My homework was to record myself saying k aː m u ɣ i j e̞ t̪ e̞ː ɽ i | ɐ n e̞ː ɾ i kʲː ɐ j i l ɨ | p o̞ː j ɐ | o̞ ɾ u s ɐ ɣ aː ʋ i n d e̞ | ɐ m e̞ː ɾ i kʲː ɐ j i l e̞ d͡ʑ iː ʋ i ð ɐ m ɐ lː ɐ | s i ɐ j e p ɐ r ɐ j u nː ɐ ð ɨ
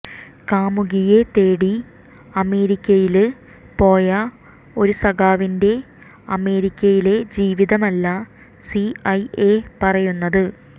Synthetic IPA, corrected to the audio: k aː m u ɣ i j e̞ t̪ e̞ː ɽ i | ɐ m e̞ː ɾ i kʲː ɐ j i l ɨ | p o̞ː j ɐ | o̞ ɾ u s ɐ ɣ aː ʋ i n d e̞ | ɐ m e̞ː ɾ i kʲː ɐ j i l e̞ d͡ʑ iː ʋ i ð ɐ m ɐ lː ɐ | s i ɐ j e p ɐ r ɐ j u nː ɐ ð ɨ